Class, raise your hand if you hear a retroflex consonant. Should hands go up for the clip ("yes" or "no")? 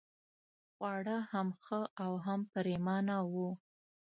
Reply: yes